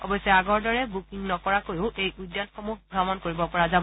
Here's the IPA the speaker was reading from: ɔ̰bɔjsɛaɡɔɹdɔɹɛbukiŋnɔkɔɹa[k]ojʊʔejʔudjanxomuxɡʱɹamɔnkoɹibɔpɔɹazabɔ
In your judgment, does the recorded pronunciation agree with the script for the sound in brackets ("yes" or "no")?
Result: yes